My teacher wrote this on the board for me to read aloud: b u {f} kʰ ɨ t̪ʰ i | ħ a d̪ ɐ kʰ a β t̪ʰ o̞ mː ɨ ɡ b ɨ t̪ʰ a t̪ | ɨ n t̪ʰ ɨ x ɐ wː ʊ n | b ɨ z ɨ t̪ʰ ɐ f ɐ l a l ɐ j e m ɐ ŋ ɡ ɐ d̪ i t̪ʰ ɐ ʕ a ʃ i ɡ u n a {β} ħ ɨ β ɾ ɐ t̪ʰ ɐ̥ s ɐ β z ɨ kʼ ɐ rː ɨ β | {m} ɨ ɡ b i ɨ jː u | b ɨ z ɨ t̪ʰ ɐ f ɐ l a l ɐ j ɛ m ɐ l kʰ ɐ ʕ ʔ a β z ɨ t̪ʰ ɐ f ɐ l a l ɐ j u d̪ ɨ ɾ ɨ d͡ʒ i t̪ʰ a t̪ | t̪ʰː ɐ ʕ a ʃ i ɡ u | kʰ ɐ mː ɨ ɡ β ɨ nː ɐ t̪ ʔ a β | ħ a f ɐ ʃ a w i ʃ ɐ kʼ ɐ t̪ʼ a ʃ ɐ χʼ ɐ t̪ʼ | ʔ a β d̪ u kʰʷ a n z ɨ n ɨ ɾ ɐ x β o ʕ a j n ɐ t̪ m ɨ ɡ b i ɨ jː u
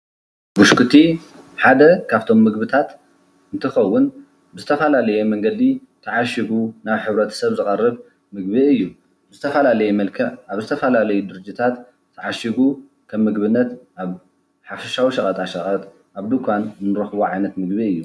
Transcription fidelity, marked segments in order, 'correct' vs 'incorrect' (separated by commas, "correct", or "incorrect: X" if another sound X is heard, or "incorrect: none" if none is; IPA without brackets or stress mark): incorrect: ʃ, correct, correct